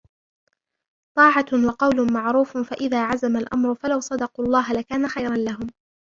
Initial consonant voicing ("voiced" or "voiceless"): voiceless